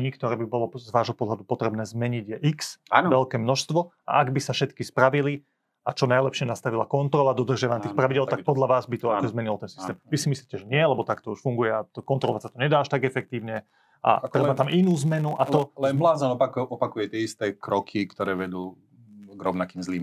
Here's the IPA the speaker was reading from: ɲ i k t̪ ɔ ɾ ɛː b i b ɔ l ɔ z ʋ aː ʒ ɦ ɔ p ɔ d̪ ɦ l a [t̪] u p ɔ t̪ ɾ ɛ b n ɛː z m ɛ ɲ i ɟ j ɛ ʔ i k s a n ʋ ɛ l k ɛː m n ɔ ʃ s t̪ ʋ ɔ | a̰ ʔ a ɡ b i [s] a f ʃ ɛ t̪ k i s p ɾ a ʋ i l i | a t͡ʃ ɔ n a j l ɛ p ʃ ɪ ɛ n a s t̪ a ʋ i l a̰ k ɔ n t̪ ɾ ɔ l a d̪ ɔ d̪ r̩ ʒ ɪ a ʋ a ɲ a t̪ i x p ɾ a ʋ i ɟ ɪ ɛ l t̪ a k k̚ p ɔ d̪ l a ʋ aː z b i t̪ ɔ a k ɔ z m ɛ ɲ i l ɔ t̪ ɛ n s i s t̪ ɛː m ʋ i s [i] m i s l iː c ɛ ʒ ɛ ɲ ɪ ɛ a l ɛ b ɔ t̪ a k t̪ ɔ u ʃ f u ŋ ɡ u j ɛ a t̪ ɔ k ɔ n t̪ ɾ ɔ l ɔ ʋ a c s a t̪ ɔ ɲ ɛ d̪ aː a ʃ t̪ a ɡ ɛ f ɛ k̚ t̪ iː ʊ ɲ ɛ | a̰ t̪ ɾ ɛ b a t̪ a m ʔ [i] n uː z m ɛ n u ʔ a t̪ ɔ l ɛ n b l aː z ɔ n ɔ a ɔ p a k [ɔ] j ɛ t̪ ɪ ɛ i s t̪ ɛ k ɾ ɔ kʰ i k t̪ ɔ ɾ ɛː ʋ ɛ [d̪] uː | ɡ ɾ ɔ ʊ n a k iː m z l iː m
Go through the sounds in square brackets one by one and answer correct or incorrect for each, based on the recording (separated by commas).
incorrect, correct, correct, correct, incorrect, correct